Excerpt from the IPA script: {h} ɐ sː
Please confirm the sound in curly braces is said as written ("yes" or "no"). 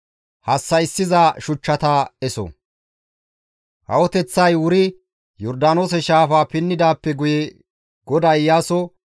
yes